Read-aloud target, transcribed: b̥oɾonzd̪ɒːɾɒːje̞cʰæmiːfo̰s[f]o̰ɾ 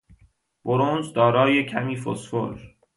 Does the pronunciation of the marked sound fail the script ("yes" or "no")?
no